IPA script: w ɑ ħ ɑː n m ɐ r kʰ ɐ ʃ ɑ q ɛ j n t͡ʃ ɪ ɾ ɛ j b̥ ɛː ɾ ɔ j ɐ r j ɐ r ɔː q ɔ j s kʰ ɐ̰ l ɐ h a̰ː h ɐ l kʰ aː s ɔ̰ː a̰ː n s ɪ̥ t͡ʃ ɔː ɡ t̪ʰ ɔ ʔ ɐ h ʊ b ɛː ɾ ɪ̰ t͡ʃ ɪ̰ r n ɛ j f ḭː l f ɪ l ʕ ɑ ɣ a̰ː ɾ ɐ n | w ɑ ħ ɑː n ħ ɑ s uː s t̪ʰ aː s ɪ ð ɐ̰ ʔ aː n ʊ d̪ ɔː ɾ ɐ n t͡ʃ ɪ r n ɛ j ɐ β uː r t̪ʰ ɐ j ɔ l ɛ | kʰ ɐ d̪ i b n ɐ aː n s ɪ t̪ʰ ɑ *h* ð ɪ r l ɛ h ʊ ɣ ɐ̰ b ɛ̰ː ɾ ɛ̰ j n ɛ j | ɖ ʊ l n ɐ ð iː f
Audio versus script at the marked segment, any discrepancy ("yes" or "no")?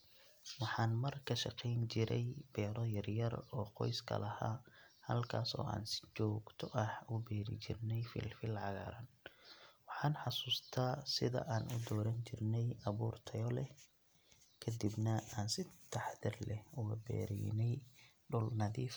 yes